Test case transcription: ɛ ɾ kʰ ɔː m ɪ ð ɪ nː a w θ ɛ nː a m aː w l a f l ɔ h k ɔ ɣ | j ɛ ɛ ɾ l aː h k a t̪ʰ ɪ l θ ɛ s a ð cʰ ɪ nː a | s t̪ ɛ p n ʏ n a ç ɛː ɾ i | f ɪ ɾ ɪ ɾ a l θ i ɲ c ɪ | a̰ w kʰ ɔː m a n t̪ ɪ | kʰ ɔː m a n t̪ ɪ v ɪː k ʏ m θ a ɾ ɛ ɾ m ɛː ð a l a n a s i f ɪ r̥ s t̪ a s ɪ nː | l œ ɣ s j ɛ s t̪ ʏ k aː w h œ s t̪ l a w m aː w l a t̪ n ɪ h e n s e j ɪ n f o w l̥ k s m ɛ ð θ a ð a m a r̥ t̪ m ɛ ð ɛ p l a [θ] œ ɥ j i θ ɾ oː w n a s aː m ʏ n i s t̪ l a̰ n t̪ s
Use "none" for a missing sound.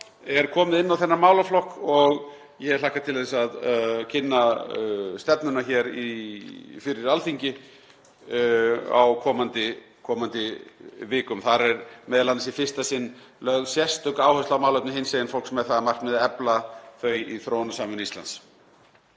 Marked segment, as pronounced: θ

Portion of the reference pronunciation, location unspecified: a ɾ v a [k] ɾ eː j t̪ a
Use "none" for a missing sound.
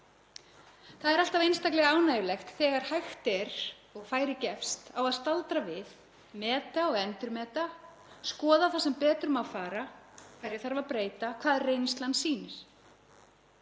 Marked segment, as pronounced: p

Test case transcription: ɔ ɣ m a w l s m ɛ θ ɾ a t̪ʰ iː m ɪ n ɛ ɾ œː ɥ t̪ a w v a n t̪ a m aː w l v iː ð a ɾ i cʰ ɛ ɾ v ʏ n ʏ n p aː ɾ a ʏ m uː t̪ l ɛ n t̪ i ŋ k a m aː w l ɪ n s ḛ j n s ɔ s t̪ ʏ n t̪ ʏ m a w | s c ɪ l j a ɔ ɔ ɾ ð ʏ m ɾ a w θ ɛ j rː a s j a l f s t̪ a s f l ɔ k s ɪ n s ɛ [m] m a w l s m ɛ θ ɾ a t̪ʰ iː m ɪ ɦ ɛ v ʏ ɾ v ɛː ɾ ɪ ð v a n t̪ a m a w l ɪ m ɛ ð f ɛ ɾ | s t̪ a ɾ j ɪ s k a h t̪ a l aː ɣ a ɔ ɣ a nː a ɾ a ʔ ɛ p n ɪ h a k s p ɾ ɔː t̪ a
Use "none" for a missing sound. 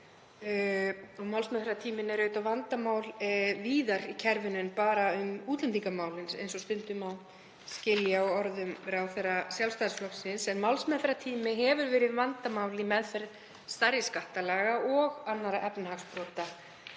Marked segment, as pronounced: n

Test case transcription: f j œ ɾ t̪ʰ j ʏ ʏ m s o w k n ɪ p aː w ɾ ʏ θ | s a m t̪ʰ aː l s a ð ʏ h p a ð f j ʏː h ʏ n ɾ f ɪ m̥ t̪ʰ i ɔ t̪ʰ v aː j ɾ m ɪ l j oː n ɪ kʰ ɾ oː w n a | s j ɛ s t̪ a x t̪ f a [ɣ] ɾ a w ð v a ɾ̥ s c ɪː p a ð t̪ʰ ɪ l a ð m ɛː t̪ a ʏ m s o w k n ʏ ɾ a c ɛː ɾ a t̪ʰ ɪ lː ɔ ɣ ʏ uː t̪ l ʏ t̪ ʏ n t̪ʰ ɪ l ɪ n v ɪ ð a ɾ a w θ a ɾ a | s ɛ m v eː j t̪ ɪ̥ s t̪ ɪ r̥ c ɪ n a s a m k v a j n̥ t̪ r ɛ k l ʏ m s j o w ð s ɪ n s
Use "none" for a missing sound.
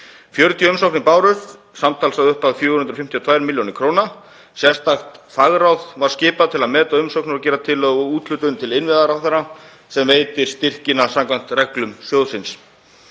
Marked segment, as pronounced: ɣ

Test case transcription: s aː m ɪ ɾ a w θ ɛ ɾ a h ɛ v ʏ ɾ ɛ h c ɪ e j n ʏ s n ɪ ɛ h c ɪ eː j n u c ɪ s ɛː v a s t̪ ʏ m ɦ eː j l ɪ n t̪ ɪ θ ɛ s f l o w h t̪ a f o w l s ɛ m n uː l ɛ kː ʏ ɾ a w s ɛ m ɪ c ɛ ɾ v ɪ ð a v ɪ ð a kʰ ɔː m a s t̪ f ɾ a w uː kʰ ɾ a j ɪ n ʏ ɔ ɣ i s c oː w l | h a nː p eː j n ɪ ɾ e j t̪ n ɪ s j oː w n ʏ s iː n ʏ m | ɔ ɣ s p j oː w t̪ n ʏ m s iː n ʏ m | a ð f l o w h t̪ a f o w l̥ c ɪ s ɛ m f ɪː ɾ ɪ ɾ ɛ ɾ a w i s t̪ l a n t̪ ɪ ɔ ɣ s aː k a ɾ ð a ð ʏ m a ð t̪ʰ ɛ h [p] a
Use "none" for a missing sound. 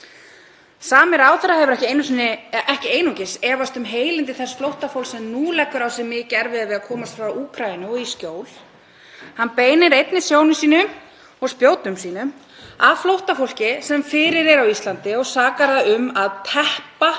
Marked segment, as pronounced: p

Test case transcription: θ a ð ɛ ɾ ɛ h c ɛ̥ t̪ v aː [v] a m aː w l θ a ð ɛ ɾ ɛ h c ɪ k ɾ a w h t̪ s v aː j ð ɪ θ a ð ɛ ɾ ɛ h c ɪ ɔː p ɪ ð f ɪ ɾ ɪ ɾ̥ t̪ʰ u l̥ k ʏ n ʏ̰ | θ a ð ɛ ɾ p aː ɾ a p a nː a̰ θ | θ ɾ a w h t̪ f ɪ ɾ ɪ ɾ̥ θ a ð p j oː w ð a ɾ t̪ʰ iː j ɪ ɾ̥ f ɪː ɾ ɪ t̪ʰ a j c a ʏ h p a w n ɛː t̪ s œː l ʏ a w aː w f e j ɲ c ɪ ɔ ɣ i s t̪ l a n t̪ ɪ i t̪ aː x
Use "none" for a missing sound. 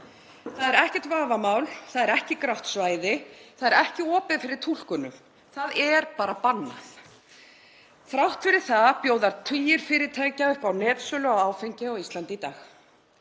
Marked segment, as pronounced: v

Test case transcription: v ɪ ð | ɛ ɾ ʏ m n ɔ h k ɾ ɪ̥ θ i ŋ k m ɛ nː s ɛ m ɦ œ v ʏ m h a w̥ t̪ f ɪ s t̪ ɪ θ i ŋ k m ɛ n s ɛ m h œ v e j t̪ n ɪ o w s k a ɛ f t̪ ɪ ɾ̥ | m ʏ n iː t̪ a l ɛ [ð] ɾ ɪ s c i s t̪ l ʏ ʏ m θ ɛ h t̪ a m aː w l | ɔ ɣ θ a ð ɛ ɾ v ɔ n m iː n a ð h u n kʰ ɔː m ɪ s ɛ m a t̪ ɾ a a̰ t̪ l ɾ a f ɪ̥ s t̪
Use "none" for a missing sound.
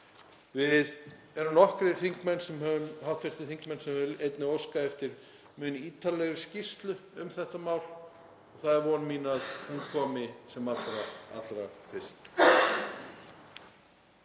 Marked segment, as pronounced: ɣ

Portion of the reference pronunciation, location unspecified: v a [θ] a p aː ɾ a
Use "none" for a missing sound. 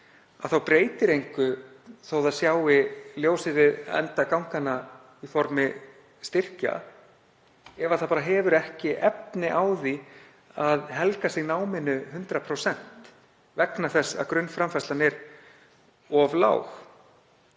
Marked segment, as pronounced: θ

